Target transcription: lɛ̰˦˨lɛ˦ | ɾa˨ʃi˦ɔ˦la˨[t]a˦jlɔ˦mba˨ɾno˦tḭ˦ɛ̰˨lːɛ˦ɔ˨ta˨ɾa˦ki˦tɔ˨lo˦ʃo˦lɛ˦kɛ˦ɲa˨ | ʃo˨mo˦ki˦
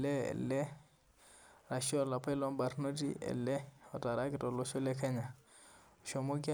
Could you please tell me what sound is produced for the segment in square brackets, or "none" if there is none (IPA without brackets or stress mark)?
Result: p